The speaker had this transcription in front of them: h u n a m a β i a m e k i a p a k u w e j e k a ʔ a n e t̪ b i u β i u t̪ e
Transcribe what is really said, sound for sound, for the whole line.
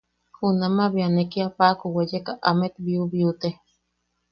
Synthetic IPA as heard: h u n a m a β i a n e k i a p a k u w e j e k a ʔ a m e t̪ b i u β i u t̪ e